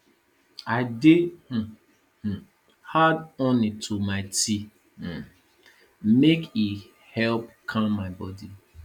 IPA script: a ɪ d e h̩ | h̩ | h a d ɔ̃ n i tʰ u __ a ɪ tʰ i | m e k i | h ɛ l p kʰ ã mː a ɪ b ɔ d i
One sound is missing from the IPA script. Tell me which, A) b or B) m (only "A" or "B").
B